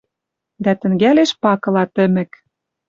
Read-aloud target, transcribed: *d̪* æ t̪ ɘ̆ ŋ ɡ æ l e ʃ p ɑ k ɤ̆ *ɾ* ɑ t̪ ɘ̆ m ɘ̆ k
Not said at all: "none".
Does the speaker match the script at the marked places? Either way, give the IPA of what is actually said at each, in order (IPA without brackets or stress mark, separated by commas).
d̪, l